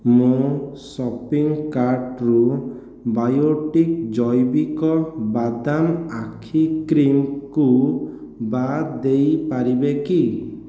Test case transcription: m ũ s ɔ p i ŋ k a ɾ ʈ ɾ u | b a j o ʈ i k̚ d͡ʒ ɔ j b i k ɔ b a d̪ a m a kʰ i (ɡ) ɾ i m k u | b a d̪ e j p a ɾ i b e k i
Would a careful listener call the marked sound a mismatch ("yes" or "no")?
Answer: yes